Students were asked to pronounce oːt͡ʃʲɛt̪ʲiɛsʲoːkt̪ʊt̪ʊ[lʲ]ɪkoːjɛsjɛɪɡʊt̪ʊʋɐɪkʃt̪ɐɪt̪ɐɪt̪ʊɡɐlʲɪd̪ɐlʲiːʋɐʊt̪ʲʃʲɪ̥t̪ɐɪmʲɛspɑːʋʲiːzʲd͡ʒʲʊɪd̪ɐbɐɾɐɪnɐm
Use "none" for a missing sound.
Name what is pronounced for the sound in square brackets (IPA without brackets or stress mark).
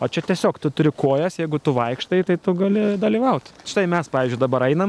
ɾʲ